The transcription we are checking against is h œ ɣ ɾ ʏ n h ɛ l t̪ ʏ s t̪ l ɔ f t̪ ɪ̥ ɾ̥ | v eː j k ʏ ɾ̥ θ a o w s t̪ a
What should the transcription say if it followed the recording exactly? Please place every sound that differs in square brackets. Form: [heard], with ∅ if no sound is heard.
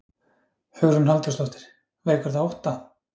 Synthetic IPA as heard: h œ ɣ ɾ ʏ n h [a] l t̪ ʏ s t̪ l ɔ [h] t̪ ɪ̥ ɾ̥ | v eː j k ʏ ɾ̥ θ a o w [h] t̪ a